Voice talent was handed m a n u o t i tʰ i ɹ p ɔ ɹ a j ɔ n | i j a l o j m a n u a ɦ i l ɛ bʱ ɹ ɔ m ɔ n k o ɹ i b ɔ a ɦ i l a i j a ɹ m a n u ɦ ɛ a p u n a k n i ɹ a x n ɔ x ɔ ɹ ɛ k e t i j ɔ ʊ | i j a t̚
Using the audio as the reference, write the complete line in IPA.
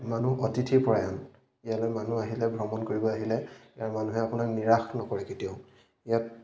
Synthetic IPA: m a n u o t i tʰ i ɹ p ɔ ɹ a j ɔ n | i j a l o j m a n u a ɦ i l ɛ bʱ ɹ ɔ m ɔ n k o ɹ i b ɔ a ɦ i l ɛ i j a ɹ m a n u ɦ ɛ a p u n a k n i ɹ a x n ɔ k ɔ ɹ ɛ k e t i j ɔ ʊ | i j a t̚